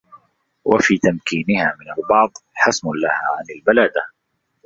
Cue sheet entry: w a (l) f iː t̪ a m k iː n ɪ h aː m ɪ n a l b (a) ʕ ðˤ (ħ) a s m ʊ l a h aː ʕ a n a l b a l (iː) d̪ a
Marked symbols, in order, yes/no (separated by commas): no, no, yes, no